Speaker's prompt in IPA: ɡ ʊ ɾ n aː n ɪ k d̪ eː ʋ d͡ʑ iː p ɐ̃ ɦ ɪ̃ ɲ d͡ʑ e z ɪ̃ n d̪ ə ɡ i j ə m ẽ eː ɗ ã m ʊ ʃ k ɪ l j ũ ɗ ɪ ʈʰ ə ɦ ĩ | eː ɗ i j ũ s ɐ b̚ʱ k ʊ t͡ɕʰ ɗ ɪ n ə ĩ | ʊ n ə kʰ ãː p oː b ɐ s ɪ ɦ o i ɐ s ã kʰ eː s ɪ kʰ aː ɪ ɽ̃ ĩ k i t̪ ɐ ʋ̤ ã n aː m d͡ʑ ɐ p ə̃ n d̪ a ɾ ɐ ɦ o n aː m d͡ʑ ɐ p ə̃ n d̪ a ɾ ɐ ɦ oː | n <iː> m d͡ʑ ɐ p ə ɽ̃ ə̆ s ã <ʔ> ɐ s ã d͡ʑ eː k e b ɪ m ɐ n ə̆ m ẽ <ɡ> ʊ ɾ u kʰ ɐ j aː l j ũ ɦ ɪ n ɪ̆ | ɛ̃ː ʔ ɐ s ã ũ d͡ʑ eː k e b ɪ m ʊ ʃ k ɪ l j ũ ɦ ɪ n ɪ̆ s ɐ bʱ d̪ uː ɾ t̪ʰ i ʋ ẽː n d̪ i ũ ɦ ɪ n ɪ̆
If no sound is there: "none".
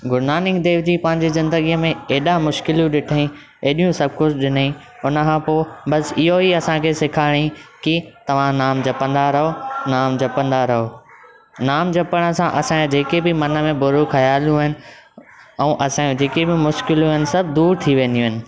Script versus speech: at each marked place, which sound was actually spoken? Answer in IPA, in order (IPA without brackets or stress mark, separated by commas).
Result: aː, ʔ, b